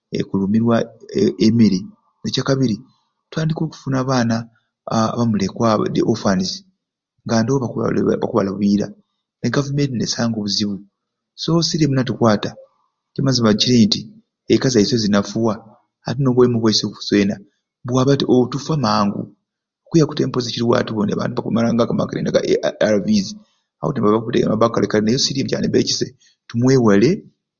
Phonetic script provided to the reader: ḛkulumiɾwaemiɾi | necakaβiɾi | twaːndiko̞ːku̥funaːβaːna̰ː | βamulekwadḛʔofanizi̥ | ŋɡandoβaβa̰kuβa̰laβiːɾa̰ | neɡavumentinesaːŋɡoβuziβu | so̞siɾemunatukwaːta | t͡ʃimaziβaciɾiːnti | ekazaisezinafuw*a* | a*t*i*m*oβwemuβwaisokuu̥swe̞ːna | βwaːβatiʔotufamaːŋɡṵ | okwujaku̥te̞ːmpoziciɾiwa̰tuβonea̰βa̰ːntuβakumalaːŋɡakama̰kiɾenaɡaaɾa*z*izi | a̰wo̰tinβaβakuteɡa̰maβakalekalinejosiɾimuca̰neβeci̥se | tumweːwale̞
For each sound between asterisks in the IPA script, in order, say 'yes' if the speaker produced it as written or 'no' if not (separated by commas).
yes, yes, no, no